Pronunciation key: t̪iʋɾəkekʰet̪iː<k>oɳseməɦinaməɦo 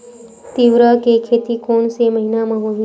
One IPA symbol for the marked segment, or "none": k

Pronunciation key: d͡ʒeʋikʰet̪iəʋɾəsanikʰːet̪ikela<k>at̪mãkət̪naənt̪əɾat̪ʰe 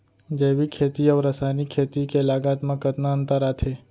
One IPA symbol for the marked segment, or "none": ɡ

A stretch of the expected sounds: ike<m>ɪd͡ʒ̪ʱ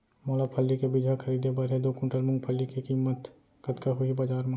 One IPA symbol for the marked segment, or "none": b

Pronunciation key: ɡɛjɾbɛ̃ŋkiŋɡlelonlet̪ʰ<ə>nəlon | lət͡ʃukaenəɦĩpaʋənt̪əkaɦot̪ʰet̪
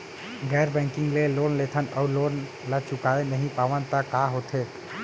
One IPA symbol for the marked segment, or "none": ə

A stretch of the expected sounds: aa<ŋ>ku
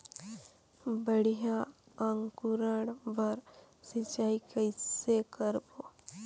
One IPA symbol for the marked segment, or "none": ŋ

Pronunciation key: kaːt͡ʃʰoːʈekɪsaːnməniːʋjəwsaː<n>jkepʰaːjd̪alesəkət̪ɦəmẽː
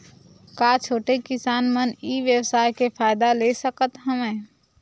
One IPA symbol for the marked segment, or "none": none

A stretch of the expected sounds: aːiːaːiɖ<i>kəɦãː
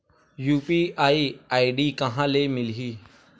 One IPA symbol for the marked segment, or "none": iː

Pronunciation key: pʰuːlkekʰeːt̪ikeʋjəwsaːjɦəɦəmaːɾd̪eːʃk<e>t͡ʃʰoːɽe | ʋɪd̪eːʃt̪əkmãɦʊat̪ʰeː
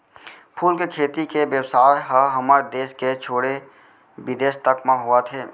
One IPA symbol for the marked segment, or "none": e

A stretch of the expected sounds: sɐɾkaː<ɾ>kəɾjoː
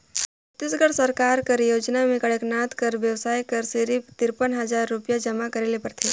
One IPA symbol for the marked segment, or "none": ɾ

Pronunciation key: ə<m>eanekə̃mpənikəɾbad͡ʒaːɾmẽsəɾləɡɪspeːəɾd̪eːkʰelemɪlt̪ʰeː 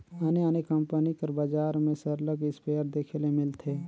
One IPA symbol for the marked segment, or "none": n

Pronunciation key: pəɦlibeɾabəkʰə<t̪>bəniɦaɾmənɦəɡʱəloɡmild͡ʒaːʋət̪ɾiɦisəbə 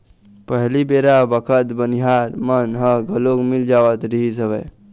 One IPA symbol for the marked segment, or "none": t̪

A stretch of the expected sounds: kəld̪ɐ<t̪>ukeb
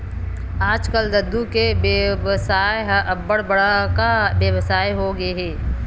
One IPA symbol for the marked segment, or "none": d̪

